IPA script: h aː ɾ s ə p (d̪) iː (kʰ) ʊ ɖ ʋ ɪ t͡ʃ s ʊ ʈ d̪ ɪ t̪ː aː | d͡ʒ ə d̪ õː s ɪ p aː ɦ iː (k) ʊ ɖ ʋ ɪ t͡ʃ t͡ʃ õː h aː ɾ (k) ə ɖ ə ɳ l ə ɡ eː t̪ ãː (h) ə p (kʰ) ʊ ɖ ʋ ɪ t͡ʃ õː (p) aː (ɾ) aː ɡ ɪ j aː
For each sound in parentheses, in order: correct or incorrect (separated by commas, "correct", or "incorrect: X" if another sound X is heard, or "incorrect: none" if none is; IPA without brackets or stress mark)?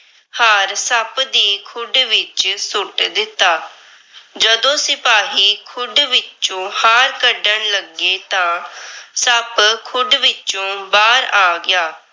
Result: correct, correct, incorrect: kʰ, correct, incorrect: s, correct, incorrect: b, correct